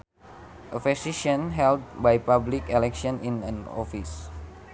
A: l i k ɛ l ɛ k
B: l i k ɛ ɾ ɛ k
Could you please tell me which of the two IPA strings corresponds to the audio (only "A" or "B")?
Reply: A